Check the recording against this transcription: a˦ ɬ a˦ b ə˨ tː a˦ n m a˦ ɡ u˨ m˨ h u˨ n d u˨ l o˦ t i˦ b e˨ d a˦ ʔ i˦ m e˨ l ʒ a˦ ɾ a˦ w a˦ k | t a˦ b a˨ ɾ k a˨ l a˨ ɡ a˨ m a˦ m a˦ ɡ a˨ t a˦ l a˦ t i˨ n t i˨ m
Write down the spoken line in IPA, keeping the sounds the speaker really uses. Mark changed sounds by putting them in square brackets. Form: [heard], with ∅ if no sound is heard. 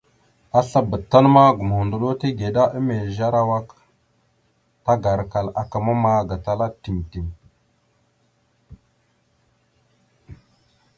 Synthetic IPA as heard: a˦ ɬ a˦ b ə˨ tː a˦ n m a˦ ɡ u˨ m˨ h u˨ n d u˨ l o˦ t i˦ [ɡ] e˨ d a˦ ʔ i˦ m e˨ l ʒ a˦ ɾ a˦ w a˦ k | t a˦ [ɡ] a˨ ɾ k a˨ l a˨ [k] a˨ m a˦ m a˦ ɡ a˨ t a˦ l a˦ t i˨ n t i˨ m